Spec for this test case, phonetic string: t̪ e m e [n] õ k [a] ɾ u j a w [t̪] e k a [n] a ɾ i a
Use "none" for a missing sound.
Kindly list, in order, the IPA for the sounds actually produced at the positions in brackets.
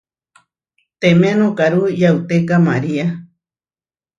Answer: n, a, t̪, m

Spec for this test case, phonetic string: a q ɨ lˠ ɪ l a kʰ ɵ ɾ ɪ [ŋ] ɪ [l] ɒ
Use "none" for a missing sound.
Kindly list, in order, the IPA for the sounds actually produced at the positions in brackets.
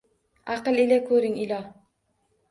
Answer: ŋ, l

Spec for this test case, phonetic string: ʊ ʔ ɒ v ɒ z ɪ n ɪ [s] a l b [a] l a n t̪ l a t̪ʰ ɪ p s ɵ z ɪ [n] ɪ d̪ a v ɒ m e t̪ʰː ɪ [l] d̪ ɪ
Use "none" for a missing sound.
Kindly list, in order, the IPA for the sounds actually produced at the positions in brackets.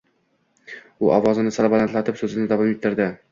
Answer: s, a, n, ɾ

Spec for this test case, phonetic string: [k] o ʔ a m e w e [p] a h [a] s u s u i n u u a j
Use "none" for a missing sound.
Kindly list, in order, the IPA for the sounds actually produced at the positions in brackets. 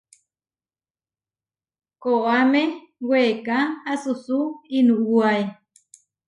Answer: k, k, a

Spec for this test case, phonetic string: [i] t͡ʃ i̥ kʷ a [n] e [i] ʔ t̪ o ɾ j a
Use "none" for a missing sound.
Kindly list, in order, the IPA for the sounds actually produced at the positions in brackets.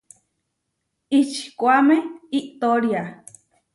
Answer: i, m, i

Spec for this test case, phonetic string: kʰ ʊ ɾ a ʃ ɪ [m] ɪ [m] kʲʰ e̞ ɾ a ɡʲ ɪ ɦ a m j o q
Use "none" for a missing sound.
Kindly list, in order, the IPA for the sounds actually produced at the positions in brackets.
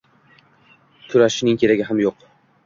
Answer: n, ŋ

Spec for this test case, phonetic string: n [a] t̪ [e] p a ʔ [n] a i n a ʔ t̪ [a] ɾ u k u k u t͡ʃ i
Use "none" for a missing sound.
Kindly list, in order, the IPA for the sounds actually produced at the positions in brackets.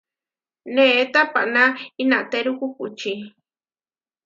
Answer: e, a, n, e

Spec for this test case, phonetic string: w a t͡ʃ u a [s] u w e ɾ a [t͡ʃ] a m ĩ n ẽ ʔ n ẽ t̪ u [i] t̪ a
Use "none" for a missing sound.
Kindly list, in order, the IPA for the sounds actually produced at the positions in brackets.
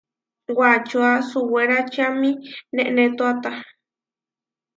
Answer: s, t͡ʃ, a

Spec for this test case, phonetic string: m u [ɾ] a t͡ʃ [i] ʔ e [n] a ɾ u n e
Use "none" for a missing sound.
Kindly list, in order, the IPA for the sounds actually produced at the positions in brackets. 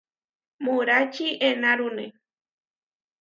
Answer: ɾ, i, n

